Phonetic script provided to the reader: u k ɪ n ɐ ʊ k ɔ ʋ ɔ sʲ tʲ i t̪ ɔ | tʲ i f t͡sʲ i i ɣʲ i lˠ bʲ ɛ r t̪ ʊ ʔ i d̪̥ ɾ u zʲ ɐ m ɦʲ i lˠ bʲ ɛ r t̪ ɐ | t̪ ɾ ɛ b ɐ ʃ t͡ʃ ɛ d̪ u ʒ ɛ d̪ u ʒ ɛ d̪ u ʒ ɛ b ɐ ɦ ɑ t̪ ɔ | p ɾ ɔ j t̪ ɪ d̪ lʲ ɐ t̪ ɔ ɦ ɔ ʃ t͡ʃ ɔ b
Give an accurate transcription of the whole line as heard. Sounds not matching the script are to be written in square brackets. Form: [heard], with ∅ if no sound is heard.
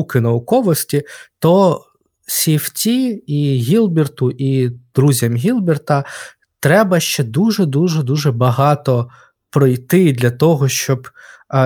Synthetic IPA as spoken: u k ɪ n ɐ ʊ k ɔ ʋ ɔ sʲ tʲ i t̪ ɔ | [sʲ] i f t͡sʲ i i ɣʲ i lˠ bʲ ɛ r t̪ ʊ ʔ i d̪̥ ɾ u zʲ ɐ m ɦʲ i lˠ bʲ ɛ r t̪ ɐ | t̪ ɾ ɛ b ɐ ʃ t͡ʃ ɛ d̪ u ʒ ɛ d̪ u ʒ ɛ d̪ u ʒ ɛ b ɐ ɦ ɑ t̪ ɔ | p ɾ ɔ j t̪ ɪ d̪ lʲ ɐ t̪ ɔ ɦ ɔ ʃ t͡ʃ ɔ b